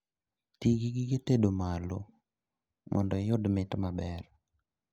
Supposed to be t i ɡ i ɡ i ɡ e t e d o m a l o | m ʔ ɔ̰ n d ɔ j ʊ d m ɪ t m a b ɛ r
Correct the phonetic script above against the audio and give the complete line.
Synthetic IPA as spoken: t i ɡ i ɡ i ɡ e t e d o m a l o | m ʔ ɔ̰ n d ɔ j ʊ d m ɪ t m a b ɛ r